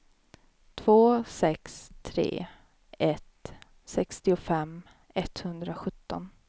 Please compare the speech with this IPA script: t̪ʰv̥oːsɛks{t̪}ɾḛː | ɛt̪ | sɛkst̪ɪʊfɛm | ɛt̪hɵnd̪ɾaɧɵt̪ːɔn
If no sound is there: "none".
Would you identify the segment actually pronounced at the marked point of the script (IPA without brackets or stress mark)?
t̪ʰ